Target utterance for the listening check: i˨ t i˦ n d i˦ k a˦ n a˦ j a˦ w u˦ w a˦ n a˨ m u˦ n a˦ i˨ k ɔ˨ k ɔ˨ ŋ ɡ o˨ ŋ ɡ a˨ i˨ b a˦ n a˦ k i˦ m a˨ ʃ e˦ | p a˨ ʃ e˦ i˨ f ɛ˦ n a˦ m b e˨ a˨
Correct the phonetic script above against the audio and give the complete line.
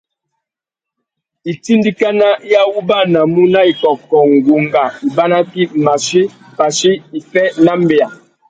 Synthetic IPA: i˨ t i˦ n d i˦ k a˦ n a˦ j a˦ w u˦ b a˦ n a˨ m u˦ n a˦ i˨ k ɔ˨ k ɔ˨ ŋ ɡ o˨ ŋ ɡ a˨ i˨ b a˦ n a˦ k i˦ m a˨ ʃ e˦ | p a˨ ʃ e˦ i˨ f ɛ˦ n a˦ m b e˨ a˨